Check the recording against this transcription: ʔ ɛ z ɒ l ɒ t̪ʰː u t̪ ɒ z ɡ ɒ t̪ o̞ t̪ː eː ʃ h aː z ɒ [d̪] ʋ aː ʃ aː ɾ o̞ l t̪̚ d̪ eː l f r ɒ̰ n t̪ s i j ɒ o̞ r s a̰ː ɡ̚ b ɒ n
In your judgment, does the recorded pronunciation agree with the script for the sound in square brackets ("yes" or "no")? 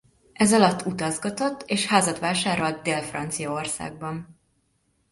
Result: no